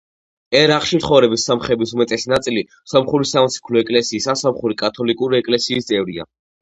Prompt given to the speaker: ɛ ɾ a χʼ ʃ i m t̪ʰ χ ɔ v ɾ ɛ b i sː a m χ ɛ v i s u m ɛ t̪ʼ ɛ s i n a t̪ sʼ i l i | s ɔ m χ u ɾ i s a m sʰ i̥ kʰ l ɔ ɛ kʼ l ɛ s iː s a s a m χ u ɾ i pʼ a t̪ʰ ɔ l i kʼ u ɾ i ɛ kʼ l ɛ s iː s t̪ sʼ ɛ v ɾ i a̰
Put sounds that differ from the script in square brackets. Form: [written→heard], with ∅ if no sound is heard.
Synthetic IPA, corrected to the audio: ɛ ɾ a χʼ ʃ i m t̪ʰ χ ɔ v ɾ ɛ b i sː a m χ ɛ [v→b] i s u m ɛ t̪ʼ ɛ s i n a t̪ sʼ i l i | s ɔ m χ u ɾ i s a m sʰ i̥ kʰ l ɔ ɛ kʼ l ɛ s iː s a s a m χ u ɾ i [pʼ→kʼ] a t̪ʰ ɔ l i kʼ u ɾ i ɛ kʼ l ɛ s iː s t̪ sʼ ɛ v ɾ i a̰

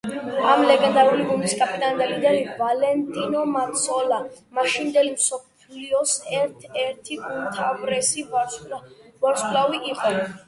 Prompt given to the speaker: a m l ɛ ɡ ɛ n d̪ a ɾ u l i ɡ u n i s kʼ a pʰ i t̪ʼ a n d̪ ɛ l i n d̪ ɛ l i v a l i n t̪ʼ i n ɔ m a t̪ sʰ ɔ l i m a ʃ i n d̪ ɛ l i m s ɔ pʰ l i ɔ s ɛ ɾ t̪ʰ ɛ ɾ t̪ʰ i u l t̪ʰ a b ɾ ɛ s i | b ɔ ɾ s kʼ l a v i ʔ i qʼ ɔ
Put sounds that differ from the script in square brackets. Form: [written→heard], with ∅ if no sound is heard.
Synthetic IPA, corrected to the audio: a m l ɛ ɡ ɛ n d̪ a ɾ u l i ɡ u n i s kʼ a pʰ i t̪ʼ a n d̪ ɛ l i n d̪ ɛ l i v a l [i→ɛ] n t̪ʼ i n ɔ m a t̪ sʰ ɔ l [i→a] m a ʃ i n d̪ ɛ l i m s ɔ pʰ l i ɔ s ɛ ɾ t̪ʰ ɛ ɾ t̪ʰ i u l t̪ʰ a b ɾ ɛ s i | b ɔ ɾ s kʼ l a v i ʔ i qʼ ɔ

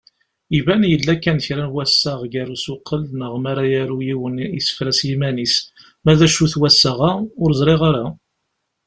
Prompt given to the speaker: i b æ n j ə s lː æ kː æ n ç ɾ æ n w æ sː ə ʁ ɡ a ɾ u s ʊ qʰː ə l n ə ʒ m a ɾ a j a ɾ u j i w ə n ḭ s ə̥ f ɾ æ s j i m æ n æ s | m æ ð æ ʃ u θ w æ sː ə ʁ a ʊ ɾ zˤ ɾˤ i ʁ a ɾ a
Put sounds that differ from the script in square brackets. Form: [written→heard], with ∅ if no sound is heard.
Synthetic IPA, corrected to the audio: i [b→v] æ n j ə [s→∅] lː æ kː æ n ç ɾ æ n w æ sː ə ʁ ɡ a ɾ u s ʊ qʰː ə l n ə [ʒ→ʁ] m a ɾ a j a ɾ u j i w ə n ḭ s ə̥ f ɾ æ s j i m æ n [æ→i] s | m æ ð æ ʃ u θ w æ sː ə ʁ a ʊ ɾ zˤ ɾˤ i ʁ a ɾ a

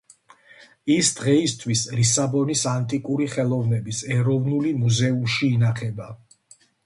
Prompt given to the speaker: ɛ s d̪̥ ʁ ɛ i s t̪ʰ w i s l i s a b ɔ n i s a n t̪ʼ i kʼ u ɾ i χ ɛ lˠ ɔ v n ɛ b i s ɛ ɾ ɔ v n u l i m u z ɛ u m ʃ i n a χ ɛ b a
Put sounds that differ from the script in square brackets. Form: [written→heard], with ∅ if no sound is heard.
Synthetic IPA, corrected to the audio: [ɛ→i] s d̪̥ ʁ ɛ i s t̪ʰ w i s l i s a b ɔ n i s a n t̪ʼ i kʼ u ɾ i χ ɛ lˠ ɔ v n ɛ b i s ɛ ɾ ɔ v n u l i m u z ɛ u m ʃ [i→iː] n a χ ɛ b a

